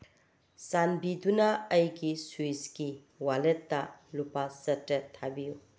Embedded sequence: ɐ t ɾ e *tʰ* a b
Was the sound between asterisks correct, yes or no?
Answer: yes